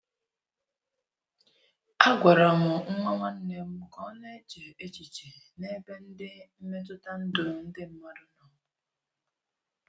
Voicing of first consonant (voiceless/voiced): voiced